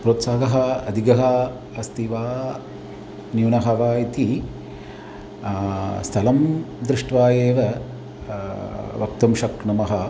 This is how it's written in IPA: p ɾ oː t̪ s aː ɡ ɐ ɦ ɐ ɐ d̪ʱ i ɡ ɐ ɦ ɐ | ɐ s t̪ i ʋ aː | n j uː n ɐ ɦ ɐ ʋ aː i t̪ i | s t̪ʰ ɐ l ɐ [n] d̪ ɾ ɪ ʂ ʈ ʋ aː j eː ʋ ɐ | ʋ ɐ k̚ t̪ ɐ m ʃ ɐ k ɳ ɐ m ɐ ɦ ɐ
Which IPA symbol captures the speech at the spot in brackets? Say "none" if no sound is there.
m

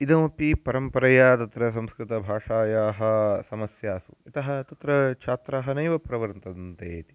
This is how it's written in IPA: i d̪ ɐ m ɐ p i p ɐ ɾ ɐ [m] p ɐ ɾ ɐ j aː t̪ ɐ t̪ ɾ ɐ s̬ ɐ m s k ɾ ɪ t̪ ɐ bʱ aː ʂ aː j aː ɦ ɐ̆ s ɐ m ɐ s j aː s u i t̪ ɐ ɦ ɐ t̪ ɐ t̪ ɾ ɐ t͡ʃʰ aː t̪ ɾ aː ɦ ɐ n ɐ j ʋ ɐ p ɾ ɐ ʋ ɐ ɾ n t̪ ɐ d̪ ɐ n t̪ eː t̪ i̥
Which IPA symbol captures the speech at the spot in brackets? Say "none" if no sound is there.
m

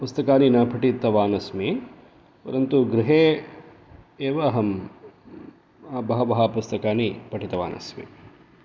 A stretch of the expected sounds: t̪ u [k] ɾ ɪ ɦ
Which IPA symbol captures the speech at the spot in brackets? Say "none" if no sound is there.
ɡ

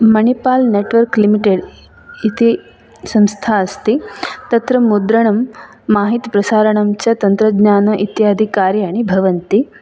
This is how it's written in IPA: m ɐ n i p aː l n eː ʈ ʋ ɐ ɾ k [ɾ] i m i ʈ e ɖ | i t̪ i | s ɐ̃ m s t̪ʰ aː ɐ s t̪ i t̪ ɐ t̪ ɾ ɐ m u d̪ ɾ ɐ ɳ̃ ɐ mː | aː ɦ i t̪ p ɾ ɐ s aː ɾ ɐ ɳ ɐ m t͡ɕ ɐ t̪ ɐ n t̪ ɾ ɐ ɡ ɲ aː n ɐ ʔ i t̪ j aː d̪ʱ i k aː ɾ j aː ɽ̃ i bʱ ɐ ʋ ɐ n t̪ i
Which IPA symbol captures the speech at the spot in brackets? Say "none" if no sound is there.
l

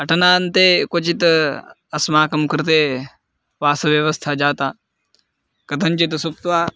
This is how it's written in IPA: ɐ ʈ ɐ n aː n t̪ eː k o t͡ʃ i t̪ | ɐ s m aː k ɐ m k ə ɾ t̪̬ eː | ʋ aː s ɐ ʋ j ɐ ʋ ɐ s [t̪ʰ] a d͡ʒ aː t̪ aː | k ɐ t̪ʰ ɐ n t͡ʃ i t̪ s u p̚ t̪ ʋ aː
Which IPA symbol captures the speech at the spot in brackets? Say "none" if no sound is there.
t̪ʰ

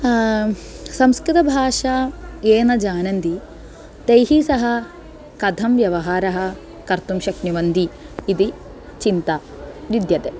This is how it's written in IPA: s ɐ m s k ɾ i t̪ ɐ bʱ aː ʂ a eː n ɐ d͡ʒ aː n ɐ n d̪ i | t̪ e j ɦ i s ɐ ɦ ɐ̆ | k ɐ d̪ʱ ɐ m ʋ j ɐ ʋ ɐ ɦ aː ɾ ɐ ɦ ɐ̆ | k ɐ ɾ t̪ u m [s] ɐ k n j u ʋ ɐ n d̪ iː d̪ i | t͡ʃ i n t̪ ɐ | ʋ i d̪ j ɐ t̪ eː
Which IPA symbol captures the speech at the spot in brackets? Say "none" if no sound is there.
ʃ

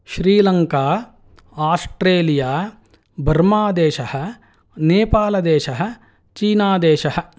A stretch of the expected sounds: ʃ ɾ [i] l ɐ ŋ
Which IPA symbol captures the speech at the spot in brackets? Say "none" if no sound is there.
iː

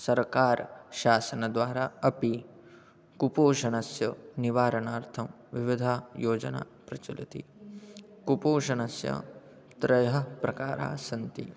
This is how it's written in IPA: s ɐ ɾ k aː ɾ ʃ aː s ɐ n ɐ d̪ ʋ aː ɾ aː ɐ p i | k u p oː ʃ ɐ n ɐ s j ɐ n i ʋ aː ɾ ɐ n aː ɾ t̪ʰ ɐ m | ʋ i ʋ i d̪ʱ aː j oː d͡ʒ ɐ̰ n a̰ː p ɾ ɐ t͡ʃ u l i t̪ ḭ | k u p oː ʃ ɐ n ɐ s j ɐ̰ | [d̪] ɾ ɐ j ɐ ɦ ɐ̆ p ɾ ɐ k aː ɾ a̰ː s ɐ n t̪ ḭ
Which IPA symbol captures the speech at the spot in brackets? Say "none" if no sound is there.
t̪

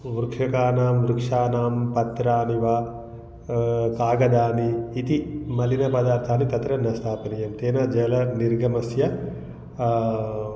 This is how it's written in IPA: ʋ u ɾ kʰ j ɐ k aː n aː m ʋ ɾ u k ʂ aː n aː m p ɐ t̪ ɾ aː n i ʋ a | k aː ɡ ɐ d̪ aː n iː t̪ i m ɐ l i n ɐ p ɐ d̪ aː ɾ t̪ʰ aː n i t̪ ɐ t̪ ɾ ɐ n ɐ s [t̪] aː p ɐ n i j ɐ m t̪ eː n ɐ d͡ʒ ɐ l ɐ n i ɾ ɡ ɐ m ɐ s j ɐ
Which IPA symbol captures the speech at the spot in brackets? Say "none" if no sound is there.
t̪ʰ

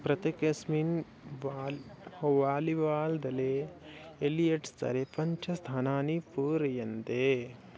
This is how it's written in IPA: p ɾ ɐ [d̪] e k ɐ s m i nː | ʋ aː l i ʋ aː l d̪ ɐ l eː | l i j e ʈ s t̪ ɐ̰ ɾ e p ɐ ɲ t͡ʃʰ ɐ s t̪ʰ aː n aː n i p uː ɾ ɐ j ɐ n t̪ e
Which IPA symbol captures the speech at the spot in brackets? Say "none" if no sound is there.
t̪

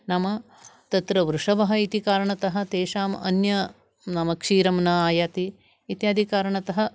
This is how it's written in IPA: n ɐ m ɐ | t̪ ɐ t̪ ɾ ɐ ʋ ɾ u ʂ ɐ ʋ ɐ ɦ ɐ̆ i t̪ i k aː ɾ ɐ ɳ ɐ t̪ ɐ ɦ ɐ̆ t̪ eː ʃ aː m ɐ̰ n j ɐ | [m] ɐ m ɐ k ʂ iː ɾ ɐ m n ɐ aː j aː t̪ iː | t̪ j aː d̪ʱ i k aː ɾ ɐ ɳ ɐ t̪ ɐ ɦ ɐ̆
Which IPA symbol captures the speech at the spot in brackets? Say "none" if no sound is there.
n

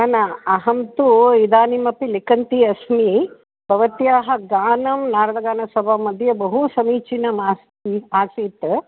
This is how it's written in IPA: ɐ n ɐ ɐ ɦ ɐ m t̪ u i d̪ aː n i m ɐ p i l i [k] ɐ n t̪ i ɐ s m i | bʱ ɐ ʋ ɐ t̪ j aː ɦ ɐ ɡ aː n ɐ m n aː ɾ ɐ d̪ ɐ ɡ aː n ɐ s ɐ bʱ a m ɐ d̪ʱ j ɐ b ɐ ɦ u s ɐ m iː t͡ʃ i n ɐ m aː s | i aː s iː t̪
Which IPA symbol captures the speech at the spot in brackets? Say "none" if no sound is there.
k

